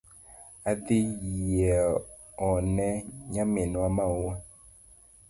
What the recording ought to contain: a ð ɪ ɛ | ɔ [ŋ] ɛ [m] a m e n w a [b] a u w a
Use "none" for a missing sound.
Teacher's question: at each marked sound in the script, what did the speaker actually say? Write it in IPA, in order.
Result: n, ɲ, m

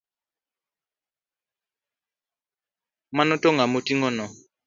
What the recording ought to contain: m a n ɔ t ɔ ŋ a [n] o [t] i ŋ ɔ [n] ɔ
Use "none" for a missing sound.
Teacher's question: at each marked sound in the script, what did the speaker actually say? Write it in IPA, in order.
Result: m, t, n

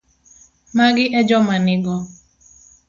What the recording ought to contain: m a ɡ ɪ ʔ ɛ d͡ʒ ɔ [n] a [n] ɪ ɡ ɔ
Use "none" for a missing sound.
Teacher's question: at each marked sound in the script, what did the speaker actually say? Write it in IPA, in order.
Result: m, n

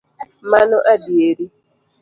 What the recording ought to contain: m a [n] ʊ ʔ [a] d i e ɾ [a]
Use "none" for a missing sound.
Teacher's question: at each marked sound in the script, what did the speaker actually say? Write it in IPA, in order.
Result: n, a, i

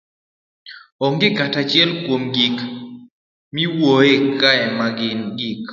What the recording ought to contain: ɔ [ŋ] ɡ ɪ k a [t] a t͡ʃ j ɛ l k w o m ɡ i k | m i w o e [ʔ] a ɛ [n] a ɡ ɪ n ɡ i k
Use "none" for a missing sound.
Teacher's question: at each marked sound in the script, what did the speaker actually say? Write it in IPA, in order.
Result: ŋ, t, k, m

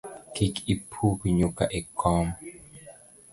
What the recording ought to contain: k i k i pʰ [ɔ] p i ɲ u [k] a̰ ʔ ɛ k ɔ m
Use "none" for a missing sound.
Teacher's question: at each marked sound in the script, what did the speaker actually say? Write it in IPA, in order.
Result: u, k

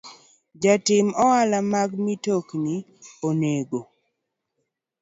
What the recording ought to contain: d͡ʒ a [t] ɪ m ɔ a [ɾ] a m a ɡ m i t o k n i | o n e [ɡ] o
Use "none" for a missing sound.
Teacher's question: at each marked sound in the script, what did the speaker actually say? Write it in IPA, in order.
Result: t, l, ɡ

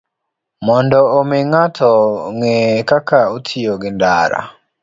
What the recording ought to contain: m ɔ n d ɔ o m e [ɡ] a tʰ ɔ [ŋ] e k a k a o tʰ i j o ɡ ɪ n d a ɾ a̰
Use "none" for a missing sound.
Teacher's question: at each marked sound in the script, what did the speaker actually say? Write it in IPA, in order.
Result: ŋ, ŋ

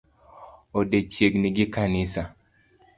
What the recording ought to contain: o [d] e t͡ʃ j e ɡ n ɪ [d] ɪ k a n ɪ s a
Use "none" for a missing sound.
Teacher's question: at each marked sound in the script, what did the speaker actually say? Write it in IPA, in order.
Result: d, ɡ

